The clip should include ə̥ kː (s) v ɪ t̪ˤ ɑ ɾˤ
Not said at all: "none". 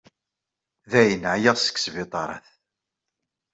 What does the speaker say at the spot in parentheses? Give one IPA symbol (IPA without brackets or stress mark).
s